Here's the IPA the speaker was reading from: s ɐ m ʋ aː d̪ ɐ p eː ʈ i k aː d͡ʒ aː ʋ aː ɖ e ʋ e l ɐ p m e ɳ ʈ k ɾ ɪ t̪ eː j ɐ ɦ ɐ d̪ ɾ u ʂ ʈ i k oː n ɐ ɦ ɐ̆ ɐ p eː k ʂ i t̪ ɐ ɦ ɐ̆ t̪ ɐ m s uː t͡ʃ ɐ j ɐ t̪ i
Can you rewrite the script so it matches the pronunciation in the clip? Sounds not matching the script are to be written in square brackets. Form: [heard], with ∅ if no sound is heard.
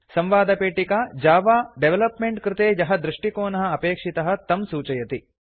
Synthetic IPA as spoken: s ɐ m ʋ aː d̪ ɐ p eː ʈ i k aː d͡ʒ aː ʋ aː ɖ e ʋ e l ɐ p m e ɳ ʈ k ɾ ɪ t̪ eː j ɐ ɦ ɐ d̪ ɾ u ʂ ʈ i k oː n ɐ ɦ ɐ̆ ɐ p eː k ʂ i t̪ ɐ ɦ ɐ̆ t̪ ɐ m s uː t͡ʃ ɐ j ɐ t̪ i